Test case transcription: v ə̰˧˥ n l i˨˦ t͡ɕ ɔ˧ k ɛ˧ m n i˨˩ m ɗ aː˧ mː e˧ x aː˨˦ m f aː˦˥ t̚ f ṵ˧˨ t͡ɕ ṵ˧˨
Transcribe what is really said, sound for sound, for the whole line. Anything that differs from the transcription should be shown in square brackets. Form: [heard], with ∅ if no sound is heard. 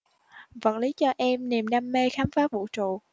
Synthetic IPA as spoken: v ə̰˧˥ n l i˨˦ t͡ɕ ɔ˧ [ʔ] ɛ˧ m n i˨˩ m ɗ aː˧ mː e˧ x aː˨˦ m f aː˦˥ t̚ [v] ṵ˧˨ t͡ɕ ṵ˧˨